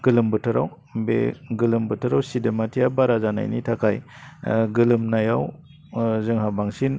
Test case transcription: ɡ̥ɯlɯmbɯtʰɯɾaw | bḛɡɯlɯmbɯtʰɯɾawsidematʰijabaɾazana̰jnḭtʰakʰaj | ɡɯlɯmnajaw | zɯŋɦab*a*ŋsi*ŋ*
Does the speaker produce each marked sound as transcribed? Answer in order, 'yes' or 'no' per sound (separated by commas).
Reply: yes, no